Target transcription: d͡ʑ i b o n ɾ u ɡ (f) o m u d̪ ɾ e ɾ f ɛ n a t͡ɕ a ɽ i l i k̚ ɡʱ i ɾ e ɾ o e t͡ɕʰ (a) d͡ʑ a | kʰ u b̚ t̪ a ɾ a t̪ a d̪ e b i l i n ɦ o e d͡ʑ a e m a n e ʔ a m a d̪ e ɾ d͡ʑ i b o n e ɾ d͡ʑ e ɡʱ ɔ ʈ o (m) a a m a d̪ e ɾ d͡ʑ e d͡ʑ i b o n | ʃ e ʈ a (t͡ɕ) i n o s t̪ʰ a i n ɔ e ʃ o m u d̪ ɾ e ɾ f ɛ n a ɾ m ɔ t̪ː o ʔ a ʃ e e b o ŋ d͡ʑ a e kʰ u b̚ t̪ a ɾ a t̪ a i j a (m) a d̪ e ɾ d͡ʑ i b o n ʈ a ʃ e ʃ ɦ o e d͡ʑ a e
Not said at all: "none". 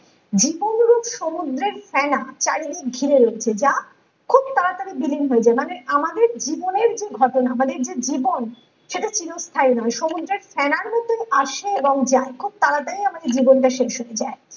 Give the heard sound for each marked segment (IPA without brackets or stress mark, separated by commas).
ʃ, e, n, t͡ɕ, m